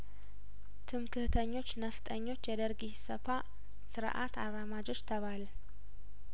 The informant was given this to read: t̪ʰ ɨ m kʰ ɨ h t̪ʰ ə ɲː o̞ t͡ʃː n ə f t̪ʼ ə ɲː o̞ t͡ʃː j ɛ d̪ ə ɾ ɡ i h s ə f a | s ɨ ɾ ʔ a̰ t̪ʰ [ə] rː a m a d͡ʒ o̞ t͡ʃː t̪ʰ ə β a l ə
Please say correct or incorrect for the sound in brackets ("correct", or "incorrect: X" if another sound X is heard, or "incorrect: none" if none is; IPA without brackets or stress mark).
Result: incorrect: a